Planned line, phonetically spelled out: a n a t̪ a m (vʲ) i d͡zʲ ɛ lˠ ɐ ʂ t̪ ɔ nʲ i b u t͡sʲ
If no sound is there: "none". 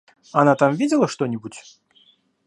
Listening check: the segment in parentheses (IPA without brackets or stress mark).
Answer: vʲ